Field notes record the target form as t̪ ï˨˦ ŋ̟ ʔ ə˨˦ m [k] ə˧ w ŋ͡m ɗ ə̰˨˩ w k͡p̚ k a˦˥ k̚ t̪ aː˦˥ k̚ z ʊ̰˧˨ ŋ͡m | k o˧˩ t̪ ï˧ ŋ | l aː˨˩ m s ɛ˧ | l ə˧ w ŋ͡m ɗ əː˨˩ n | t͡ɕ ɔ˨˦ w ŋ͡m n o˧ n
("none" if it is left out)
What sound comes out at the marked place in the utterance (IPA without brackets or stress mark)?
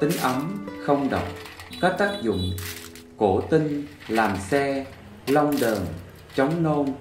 x